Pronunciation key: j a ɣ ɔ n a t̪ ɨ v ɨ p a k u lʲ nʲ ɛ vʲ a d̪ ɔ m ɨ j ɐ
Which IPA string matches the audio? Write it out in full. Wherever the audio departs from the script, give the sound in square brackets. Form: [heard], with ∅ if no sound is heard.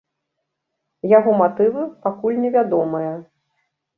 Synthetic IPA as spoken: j a ɣ ɔ [m] a t̪ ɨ v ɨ p a k u lʲ nʲ ɛ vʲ a d̪ ɔ m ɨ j ɐ